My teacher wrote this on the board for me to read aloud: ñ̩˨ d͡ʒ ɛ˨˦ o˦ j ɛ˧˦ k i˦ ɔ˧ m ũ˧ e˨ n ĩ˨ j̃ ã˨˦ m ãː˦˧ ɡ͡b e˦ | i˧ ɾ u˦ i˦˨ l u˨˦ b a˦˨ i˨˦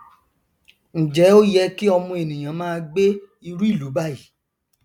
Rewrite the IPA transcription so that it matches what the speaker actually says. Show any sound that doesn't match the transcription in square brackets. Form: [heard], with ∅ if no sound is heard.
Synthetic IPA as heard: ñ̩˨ d͡ʒ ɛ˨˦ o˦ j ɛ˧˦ k i˦ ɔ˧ m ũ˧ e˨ n ĩ˨ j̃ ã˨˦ m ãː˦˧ ɡ͡b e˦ | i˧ ɾ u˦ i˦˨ l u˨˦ b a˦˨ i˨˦